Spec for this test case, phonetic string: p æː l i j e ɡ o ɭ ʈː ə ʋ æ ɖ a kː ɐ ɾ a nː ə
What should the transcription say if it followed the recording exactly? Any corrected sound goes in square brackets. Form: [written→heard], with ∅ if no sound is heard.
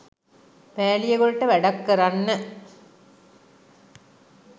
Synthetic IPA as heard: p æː l i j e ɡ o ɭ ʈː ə ʋ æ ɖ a kː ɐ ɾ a nː ə